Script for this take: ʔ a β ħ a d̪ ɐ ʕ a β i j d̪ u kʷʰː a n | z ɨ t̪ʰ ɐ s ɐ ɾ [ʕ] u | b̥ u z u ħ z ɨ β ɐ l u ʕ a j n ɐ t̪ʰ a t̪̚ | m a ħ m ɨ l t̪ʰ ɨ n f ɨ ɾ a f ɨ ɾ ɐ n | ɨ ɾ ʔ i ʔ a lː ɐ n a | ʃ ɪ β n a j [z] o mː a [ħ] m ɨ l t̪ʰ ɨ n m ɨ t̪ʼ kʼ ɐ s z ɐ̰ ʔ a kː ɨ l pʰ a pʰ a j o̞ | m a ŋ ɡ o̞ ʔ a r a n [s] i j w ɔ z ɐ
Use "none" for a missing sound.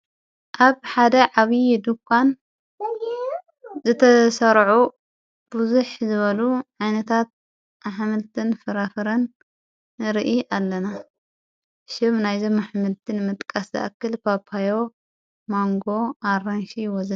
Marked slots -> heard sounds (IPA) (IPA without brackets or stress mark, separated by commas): ʕ, z, ħ, ʃ